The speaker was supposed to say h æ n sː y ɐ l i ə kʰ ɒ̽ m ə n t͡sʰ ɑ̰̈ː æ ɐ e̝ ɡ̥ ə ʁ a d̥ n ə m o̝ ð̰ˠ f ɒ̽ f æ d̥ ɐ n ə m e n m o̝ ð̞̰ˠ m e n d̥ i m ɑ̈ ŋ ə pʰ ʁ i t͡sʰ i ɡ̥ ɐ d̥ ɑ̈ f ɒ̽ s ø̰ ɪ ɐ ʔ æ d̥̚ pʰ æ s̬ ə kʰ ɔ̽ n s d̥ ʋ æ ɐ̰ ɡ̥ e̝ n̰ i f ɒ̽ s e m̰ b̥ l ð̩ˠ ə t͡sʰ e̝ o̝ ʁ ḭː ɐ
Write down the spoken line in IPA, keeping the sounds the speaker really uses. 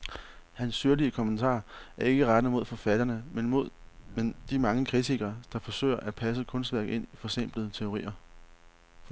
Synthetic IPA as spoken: h æ n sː y ɐ l i ə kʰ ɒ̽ m ə n t͡sʰ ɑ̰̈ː æ ɐ e̝ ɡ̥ ə ʁ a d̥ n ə m o̝ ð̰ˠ f ɒ̽ f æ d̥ ɐ n ə m e n m o̝ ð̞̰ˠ m e n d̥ i m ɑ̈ ŋ ə kʰ ʁ i t͡sʰ i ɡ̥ ɐ d̥ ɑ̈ f ɒ̽ s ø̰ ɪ ɐ ʔ æ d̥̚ pʰ æ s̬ ə kʰ ɔ̽ n s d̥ ʋ æ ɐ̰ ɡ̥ e̝ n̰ i f ɒ̽ s e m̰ b̥ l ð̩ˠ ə t͡sʰ e̝ o̝ ʁ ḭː ɐ